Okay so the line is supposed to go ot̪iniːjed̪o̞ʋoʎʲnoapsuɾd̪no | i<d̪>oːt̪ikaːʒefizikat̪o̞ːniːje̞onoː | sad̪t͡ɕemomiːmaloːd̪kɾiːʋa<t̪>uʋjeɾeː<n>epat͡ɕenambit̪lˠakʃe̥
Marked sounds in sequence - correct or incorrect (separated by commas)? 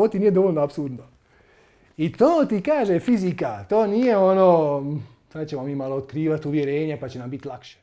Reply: incorrect, correct, incorrect